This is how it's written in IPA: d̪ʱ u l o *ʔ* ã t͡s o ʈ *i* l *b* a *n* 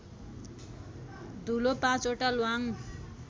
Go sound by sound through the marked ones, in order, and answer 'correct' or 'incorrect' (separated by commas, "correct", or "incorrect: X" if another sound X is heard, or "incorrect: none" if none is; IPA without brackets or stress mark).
incorrect: p, incorrect: a, incorrect: w, incorrect: ŋ